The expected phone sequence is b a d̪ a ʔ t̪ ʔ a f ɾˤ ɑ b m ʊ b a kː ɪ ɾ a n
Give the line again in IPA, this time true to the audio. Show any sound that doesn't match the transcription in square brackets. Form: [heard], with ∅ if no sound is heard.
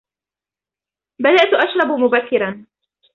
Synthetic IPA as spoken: b a d̪ a ʔ t̪ ʔ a [ʃ] ɾˤ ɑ b m ʊ b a kː ɪ ɾ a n